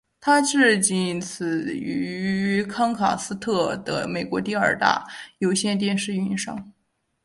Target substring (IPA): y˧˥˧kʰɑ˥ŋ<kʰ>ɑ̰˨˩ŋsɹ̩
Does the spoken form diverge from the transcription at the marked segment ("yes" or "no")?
no